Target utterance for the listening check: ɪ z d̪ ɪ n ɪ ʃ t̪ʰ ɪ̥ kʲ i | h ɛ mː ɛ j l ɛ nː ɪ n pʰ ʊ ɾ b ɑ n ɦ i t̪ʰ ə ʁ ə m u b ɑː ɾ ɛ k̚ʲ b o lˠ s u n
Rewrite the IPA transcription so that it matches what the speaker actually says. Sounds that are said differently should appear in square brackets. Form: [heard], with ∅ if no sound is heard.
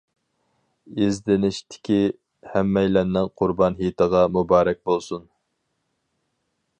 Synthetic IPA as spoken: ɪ z d̪ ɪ n ɪ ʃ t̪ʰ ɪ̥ kʲ i | h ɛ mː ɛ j l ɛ nː ɪ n [qʰ] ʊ ɾ b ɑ n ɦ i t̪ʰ ə ʁ [ɑ] m u b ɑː ɾ ɛ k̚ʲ b o lˠ s u n